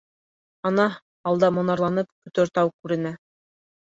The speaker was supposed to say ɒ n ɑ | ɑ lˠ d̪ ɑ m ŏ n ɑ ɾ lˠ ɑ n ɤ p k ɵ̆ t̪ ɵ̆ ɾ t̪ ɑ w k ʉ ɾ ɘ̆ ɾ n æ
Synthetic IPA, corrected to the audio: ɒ n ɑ | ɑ lˠ d̪ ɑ m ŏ n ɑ ɾ lˠ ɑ n ɤ p k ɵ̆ t̪ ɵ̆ ɾ t̪ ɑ w k ʉ ɾ ɘ̆ n æ